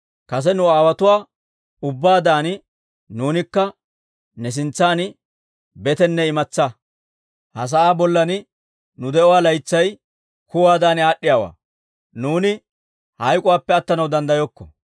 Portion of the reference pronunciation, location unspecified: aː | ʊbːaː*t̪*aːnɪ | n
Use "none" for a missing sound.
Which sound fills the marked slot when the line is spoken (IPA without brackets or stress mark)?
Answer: d̪